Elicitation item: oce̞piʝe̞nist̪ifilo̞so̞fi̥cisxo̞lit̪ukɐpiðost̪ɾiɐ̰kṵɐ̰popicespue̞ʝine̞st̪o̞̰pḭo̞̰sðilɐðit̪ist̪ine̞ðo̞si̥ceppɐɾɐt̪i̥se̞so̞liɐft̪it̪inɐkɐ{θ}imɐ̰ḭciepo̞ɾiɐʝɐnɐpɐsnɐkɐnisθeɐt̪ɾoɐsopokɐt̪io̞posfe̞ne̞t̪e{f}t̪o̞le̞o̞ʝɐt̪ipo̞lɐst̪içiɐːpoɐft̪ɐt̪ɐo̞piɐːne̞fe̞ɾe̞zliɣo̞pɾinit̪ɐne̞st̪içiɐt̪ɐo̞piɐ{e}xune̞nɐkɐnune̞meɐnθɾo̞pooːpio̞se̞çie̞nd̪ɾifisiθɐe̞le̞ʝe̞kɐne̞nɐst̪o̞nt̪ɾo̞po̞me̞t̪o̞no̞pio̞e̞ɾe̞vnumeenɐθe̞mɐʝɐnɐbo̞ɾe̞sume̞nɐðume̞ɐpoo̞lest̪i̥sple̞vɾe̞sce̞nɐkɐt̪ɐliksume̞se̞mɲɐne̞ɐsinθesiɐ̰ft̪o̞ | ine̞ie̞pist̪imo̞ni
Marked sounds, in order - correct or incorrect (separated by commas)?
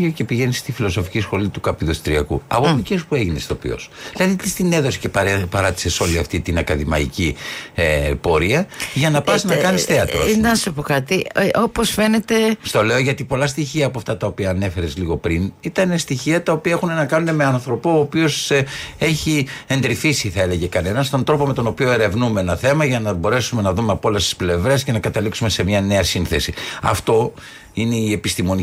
incorrect, incorrect, correct